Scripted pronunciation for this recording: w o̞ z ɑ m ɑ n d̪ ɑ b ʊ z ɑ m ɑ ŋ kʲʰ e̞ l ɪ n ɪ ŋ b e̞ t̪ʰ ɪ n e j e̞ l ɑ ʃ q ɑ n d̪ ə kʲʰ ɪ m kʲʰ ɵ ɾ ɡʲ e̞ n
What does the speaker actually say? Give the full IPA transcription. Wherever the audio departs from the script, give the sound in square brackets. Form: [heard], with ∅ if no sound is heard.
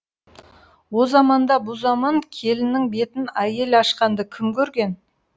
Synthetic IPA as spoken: w o̞ z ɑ m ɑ n d̪ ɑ b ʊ z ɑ m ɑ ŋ kʲʰ e̞ l ɪ n ɪ ŋ b e̞ [t̪] ɪ n [æ] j e̞ l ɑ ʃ q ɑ n d̪ ə kʲʰ ɪ m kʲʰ ɵ ɾ ɡʲ e̞ n

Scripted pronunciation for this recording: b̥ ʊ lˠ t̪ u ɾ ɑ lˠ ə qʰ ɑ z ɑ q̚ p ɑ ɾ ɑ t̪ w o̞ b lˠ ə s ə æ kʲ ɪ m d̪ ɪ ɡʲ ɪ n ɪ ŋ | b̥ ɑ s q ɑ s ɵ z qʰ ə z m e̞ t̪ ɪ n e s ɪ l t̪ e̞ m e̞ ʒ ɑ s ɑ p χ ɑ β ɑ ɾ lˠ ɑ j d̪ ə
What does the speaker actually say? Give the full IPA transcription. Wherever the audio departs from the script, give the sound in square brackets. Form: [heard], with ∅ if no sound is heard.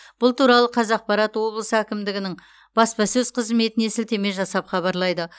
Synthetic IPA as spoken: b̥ ʊ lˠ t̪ u ɾ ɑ lˠ ə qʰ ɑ z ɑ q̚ p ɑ ɾ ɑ t̪ w o̞ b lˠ ə s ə æ kʲ ɪ m d̪ ɪ ɡʲ ɪ n ɪ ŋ | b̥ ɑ s [p] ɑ s ɵ z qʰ ə z m e̞ t̪ ɪ n e s ɪ l t̪ e̞ m e̞ ʒ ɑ s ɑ p χ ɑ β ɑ ɾ lˠ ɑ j d̪ ə

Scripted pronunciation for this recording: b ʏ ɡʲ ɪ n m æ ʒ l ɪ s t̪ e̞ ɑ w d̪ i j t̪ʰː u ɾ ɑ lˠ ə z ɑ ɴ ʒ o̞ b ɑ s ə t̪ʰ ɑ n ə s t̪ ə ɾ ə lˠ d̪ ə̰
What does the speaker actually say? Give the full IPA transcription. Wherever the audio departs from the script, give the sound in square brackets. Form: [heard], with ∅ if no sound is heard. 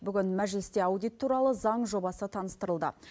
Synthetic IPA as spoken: b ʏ ɡʲ ɪ n m æ ʒ l ɪ s t̪ e̞ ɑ w d̪ i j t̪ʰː u ɾ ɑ lˠ ə z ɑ ɴ ʒ o̞ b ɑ s ə t̪ʰ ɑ n ə s t̪ ə ɾ ə lˠ d̪ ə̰

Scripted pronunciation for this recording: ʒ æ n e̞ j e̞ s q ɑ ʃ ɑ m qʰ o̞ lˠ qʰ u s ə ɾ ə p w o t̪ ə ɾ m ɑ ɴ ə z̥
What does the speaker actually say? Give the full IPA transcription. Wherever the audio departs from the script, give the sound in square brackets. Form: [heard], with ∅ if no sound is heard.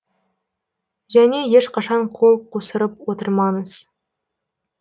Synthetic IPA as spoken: ʒ æ n e̞ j e̞ [ʃ] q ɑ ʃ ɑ [ɴ] qʰ o̞ lˠ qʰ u s ə ɾ ə p w o t̪ ə ɾ m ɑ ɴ ə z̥

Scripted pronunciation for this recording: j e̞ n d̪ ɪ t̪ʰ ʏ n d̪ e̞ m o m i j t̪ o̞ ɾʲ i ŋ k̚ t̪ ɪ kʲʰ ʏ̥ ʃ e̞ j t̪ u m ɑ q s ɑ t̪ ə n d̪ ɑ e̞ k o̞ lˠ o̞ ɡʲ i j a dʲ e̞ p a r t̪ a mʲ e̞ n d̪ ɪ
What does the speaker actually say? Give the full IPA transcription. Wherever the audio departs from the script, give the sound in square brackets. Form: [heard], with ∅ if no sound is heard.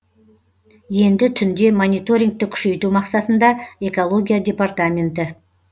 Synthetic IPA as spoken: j e̞ n d̪ ɪ t̪ʰ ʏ n d̪ e̞ m o [n] i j t̪ o̞ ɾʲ i ŋ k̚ t̪ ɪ kʲʰ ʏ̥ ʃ e̞ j t̪ u m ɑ q s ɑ t̪ ə n d̪ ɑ e̞ k o̞ lˠ o̞ ɡʲ i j a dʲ e̞ p a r t̪ a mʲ e̞ n [t̪] ɪ

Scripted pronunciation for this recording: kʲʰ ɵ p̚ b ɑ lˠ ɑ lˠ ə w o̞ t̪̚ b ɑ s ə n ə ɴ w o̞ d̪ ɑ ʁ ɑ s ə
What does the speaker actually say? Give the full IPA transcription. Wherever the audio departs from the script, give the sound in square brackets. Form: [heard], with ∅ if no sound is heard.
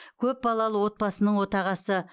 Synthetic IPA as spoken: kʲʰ ɵ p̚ b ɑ lˠ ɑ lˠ ə w o̞ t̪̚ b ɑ s ə n ə ɴ w o̞ [t̪] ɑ ʁ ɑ s ə

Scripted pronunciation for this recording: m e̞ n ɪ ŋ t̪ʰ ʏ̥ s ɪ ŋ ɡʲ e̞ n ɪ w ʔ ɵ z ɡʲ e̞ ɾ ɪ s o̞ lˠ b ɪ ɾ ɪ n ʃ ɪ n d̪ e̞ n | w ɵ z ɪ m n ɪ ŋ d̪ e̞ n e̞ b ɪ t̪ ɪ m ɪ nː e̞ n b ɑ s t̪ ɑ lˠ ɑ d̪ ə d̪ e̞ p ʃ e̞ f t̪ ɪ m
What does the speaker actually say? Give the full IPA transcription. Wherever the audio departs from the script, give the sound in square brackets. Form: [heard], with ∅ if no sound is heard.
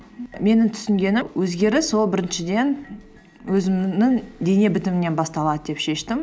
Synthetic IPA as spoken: m e̞ n ɪ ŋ t̪ʰ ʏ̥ s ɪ ŋ ɡʲ e̞ n ɪ w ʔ ɵ z ɡʲ e̞ ɾ ɪ s o̞ lˠ b ɪ ɾ ɪ n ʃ ɪ [∅] d̪ e̞ n | w ɵ z ɪ m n ɪ ŋ d̪ e̞ n e̞ b ɪ t̪ ɪ m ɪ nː e̞ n b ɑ s t̪ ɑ lˠ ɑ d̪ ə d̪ e̞ p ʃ e̞ [ʃ] t̪ ɪ m

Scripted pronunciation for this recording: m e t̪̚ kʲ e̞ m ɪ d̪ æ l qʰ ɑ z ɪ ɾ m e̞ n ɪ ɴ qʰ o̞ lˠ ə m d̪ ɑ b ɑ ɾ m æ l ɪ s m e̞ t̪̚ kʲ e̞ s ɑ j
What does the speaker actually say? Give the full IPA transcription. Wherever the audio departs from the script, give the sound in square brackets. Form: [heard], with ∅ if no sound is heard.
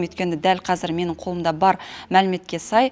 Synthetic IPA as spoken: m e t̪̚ kʲ e̞ [n] ɪ d̪ æ l qʰ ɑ z ɪ ɾ m e̞ n ɪ ɴ qʰ o̞ lˠ ə m d̪ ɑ b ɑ ɾ m æ l ɪ [∅] m e̞ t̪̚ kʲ e̞ s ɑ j

